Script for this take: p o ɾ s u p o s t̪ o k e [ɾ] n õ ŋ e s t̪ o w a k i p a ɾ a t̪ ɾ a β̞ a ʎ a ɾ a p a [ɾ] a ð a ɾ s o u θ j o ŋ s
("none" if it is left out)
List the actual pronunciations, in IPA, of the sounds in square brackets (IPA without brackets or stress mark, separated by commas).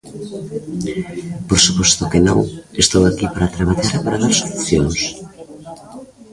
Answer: none, ɾ